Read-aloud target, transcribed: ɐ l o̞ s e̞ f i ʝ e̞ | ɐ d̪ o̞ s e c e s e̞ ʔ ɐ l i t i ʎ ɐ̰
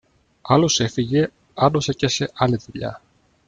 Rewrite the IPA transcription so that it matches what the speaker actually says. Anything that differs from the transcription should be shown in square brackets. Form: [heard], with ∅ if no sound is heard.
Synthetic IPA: ɐ l o̞ s e̞ f i ʝ e̞ | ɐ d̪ o̞ s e c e s e̞ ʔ ɐ l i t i ʎ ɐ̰